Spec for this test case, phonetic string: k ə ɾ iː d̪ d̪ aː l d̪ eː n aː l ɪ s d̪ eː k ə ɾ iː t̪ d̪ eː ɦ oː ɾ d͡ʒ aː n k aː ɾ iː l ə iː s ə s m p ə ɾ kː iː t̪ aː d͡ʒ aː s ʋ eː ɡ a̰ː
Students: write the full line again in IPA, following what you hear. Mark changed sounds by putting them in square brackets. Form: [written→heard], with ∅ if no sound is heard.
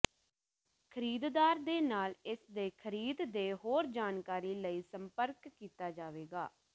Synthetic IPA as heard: [k→kʰ] ə ɾ iː d̪ d̪ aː [l→ɾ] d̪ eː n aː l ɪ s d̪ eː [k→kʰ] ə ɾ iː [t̪→d̪] d̪ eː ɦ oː ɾ d͡ʒ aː n k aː ɾ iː l ə iː s ə [s→∅] m p ə ɾ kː iː t̪ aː d͡ʒ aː [s→∅] ʋ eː ɡ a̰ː